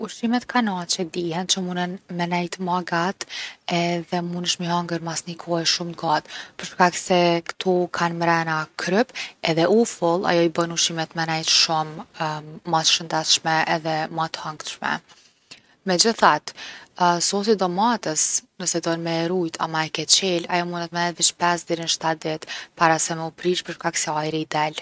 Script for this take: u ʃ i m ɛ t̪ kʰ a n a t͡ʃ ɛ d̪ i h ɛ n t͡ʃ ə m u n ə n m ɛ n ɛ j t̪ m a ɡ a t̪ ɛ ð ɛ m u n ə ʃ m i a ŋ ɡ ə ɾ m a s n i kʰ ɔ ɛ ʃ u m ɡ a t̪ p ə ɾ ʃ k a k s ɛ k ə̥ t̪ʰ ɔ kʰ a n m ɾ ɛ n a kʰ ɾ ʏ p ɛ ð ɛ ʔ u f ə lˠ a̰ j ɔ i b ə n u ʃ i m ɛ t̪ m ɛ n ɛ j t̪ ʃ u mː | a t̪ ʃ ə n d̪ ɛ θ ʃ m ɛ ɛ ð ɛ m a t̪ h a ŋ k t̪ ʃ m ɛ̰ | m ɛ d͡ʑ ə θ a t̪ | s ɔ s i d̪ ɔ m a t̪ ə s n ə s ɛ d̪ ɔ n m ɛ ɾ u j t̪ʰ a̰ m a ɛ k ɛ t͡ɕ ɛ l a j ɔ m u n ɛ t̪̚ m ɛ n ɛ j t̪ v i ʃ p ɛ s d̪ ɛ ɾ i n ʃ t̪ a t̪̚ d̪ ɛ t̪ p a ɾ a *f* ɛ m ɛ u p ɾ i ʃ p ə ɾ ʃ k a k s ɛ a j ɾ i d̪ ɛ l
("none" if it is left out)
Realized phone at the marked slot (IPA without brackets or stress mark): s